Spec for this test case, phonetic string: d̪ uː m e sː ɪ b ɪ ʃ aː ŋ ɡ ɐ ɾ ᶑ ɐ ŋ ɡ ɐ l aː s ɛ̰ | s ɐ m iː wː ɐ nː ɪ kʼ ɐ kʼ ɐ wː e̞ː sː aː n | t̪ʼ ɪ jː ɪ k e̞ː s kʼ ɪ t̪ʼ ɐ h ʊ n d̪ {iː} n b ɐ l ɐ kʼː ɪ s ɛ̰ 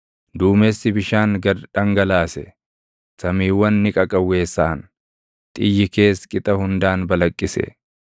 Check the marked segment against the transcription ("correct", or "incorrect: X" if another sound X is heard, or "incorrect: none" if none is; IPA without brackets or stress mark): incorrect: aː